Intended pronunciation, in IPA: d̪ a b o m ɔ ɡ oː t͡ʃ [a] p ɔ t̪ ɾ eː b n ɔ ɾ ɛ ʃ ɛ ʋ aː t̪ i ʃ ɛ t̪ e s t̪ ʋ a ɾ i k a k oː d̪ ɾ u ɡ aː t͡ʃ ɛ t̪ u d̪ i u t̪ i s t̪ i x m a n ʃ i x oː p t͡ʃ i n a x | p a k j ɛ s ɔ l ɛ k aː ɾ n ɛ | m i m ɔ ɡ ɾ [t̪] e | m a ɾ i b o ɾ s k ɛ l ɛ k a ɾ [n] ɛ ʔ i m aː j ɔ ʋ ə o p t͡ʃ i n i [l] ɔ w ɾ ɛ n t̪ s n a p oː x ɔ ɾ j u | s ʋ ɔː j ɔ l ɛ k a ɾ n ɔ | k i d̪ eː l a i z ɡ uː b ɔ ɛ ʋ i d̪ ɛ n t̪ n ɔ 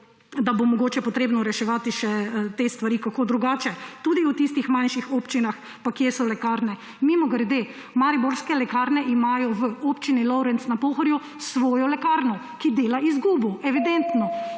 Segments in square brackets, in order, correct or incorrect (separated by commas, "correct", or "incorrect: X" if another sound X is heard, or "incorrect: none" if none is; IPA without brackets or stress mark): incorrect: ɛ, incorrect: d̪, correct, correct